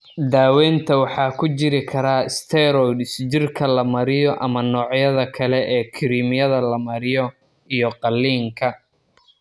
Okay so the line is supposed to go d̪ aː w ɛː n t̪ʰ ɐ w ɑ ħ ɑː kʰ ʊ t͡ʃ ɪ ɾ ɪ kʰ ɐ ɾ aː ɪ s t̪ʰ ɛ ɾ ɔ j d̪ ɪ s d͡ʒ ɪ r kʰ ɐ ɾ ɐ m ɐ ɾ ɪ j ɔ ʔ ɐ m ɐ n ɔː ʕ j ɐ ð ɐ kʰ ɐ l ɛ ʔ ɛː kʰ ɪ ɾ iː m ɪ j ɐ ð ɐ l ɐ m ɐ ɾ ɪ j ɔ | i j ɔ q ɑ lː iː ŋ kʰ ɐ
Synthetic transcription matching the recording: d̪ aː w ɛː n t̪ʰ ɐ w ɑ ħ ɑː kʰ ʊ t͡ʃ ɪ ɾ ɪ kʰ ɐ ɾ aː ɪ s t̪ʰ ɛ ɾ ɔ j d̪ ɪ s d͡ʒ ɪ r kʰ ɐ l ɐ m ɐ ɾ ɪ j ɔ ʔ ɐ m ɐ n ɔː ʕ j ɐ ð ɐ kʰ ɐ l ɛ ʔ ɛː kʰ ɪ ɾ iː m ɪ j ɐ ð ɐ l ɐ m ɐ ɾ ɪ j ɔ | i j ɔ q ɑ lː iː ŋ kʰ ɐ